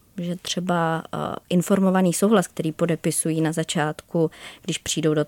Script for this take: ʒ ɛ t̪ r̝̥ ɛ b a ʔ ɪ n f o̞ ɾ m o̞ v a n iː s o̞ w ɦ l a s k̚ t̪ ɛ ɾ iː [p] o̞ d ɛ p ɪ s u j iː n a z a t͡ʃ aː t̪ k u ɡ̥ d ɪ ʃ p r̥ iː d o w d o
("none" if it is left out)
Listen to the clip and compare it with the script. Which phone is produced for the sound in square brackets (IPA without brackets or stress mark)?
p